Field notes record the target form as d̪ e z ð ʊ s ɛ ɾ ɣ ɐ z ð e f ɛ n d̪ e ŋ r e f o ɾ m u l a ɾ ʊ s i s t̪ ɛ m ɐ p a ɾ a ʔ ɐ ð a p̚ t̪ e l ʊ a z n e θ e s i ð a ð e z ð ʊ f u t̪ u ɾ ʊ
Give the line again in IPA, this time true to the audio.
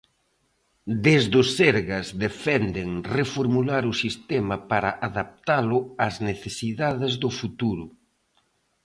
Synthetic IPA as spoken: d̪ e z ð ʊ s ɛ ɾ ɣ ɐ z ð e f ɛ n d̪ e ŋ r e f o ɾ m u l a ɾ ʊ s i s t̪ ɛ m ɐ p a ɾ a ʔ a ð a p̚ t̪ a l ʊ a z n e θ e s i ð a ð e z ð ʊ f u t̪ u ɾ ʊ